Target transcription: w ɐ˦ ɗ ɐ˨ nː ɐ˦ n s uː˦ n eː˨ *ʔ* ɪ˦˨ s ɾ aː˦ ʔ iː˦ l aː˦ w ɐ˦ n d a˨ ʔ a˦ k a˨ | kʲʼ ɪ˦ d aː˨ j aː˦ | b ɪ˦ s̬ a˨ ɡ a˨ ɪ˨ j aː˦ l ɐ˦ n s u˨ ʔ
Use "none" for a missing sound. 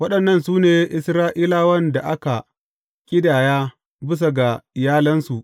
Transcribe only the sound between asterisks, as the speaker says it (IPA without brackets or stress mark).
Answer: ʔ